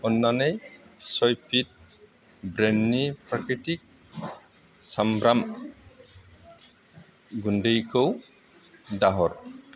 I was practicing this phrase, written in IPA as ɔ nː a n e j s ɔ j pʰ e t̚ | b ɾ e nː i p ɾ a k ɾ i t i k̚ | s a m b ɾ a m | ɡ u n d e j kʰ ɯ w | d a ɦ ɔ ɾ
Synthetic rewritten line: ɔ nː a n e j s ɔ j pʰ i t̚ | b ɾ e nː i p ɾ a k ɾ i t i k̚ | s a m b ɾ a m | ɡ u n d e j kʰ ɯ w | d a ɦ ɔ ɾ